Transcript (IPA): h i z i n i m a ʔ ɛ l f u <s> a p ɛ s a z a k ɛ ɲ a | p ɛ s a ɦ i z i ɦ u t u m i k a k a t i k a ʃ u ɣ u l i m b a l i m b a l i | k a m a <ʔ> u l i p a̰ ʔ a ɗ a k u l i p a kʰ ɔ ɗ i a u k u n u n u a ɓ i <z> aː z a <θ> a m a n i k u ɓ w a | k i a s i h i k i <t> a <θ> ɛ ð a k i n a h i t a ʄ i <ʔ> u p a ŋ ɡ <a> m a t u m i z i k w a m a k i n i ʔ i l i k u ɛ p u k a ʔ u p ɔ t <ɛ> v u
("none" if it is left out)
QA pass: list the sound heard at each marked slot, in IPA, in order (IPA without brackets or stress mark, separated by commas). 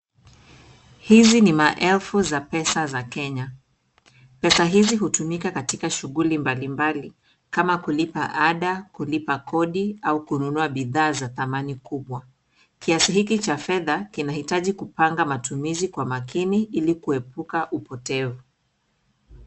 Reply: z, k, ð, θ, t͡ʃ, f, k, a, ɛ